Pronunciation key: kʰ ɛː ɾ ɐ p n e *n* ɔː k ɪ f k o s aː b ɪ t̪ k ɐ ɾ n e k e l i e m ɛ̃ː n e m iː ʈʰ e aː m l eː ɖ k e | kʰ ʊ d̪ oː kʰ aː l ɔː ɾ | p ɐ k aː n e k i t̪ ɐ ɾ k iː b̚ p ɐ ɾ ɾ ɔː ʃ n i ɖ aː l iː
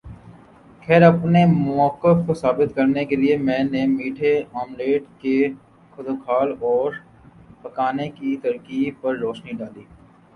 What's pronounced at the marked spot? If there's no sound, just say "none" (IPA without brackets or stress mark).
m